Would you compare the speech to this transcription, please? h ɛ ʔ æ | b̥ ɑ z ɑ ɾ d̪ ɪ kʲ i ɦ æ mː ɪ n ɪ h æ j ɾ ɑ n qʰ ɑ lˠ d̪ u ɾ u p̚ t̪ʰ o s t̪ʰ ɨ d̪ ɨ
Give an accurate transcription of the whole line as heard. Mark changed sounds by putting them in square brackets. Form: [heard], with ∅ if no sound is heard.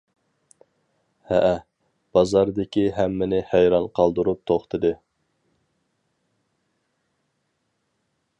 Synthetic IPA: h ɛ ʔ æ | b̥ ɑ z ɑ ɾ d̪ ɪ kʲ i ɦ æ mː ɪ n ɪ h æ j ɾ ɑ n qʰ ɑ lˠ d̪ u ɾ u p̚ t̪ʰ o [χ] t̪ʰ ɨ d̪ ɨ